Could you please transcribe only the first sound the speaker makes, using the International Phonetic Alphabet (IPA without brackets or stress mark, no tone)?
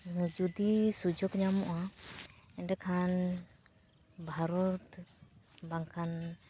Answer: d͡ʒ